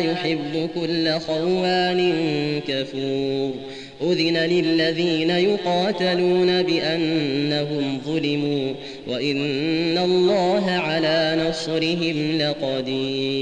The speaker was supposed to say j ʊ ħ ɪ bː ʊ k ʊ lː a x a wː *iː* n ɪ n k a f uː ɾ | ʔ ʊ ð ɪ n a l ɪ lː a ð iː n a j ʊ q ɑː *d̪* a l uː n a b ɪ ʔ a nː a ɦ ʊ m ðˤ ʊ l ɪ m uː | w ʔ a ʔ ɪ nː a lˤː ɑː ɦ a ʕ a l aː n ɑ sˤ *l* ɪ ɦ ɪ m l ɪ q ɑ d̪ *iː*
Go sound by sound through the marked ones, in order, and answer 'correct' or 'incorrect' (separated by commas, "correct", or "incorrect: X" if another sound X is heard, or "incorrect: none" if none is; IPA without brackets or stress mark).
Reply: incorrect: aː, incorrect: t̪, incorrect: ɾ, correct